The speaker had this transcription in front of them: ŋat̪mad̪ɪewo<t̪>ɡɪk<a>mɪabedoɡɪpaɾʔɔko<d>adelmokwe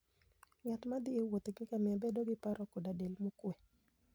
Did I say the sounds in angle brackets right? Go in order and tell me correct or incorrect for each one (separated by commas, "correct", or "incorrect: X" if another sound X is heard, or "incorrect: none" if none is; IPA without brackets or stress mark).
correct, correct, correct